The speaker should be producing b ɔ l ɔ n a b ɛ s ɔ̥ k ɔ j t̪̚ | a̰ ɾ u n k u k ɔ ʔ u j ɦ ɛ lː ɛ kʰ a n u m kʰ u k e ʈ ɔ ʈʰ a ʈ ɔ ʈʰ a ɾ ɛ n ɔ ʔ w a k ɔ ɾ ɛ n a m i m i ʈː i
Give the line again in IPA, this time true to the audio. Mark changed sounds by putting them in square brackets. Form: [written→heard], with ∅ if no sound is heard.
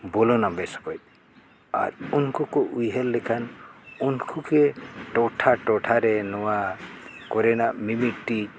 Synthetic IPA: b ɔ l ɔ n a b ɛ s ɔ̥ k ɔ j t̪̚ | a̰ ɾ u n k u k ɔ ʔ u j ɦ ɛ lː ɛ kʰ a n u [m→n] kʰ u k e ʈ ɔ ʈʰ a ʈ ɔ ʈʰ a ɾ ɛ n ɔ [ʔ→∅] w a k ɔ ɾ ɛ n a m i m i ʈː i